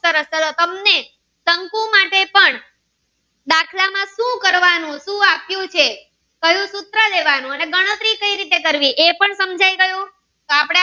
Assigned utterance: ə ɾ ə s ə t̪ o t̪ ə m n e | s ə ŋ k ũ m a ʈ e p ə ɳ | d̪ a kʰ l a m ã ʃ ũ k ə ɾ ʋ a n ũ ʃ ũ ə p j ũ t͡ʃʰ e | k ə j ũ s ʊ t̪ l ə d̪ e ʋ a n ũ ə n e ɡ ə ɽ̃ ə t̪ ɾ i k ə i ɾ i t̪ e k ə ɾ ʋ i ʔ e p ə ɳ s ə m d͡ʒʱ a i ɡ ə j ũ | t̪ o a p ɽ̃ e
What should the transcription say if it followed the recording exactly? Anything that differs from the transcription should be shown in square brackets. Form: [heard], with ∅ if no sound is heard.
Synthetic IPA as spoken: ə ɾ ə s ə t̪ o t̪ ə m n e | s ə ŋ k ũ m a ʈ e p ə ɳ | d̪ a kʰ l a m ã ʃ ũ k ə ɾ ʋ a n ũ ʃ ũ [a] p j ũ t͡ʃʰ e | k ə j ũ s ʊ t̪ [ɾ] ə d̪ e ʋ a n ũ ə n e ɡ ə ɽ̃ ə t̪ ɾ i k ə i ɾ i t̪ e k ə ɾ ʋ i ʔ e p ə ɳ s ə m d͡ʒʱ a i ɡ ə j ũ | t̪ o a p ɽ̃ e